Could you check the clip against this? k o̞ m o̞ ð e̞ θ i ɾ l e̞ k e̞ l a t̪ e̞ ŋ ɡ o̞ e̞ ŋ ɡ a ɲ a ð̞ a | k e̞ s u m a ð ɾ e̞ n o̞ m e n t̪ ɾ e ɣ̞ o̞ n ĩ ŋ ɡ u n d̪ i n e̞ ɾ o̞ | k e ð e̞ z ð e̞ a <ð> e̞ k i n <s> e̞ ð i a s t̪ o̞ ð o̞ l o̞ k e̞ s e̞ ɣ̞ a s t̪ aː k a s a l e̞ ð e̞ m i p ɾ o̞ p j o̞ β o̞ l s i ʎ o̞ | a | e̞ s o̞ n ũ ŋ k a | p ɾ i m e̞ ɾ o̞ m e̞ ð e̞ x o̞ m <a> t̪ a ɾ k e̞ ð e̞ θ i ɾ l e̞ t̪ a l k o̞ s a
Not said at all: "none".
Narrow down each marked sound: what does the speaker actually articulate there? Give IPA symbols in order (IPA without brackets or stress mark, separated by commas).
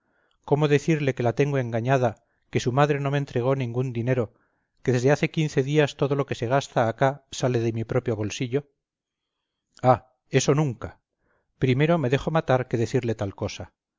θ, θ, a